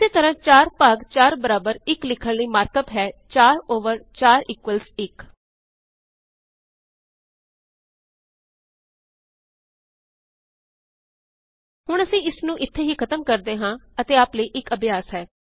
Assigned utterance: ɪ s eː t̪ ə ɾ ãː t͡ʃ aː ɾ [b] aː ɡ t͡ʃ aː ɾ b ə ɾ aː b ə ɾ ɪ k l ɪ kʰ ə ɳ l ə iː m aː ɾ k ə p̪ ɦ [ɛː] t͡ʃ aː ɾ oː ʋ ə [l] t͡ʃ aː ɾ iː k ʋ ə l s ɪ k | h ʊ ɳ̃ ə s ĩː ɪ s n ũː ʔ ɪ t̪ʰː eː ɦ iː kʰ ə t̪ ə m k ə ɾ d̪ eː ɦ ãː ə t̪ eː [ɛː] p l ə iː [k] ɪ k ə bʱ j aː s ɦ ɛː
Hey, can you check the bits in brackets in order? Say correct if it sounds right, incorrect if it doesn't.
incorrect: p, correct, incorrect: ɾ, incorrect: aː, incorrect: ʔ

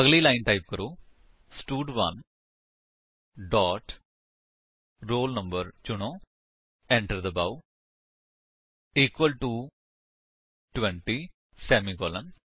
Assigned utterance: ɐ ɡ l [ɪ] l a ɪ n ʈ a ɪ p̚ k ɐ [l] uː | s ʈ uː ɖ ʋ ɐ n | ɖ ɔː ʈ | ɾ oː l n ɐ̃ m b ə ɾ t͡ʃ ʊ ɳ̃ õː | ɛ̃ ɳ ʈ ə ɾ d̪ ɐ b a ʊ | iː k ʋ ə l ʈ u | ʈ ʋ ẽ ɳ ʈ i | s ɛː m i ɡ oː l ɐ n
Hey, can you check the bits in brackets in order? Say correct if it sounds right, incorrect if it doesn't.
incorrect: i, incorrect: ɾ

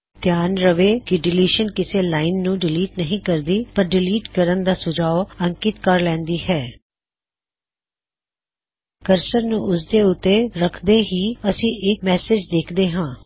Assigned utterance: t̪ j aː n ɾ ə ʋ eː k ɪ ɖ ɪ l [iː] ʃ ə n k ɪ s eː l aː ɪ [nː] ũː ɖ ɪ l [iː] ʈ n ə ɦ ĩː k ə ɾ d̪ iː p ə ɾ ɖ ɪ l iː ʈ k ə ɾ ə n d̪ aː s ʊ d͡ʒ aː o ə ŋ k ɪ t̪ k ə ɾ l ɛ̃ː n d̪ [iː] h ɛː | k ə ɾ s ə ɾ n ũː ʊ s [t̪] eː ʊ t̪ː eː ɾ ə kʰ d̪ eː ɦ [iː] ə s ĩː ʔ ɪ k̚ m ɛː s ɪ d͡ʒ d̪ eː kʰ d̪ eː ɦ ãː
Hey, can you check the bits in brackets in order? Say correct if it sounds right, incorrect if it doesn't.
correct, correct, correct, correct, incorrect: d̪, correct

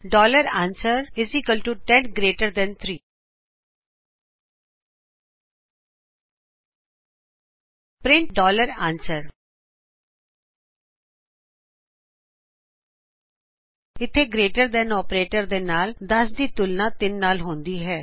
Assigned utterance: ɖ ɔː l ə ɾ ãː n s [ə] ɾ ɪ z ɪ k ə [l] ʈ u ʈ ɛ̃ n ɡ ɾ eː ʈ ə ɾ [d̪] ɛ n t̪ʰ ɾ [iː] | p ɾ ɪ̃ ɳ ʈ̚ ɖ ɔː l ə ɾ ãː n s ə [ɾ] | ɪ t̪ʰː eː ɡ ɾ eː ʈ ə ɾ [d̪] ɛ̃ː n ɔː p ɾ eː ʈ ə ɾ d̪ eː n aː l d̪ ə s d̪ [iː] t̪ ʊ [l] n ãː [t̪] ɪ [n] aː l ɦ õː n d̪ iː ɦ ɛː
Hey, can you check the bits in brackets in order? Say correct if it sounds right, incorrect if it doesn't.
correct, correct, correct, correct, correct, correct, correct, correct, correct, incorrect: nː

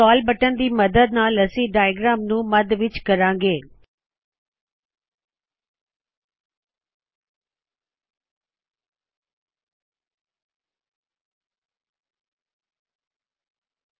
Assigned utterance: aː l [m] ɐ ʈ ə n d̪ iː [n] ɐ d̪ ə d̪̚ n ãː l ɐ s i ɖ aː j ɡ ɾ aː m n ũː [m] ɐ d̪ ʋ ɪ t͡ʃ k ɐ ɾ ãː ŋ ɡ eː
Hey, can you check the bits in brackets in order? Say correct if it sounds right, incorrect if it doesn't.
incorrect: b, incorrect: m, correct

